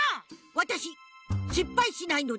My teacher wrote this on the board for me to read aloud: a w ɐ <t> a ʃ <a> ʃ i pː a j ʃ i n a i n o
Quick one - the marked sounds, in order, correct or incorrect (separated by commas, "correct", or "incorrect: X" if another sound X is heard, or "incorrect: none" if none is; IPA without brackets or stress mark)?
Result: correct, incorrect: i